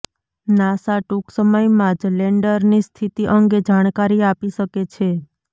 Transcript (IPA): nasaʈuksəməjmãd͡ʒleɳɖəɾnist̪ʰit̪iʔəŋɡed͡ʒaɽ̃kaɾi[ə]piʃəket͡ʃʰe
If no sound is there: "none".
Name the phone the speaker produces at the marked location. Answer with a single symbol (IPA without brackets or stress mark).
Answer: a